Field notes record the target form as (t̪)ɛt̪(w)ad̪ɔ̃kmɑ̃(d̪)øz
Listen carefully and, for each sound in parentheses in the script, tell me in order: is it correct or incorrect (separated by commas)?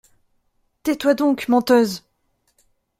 correct, correct, incorrect